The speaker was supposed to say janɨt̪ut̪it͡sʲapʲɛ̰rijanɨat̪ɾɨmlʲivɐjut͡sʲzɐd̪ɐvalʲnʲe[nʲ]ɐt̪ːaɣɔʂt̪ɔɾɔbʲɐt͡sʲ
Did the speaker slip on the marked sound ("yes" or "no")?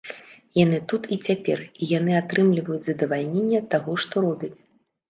yes